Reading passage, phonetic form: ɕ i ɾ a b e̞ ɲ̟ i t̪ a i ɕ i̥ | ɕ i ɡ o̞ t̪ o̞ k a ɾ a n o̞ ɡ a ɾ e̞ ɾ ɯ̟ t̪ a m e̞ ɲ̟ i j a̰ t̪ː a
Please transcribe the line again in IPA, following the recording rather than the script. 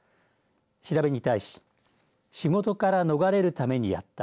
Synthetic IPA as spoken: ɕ i ɾ a b e̞ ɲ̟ i t̪ a i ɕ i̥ | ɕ i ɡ o̞ t̪ o̞ k a ɾ a n o̞ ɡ a ɾ e̞ ɾ ɯ̟ t̪ a m e̞ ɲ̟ i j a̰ t̪ː a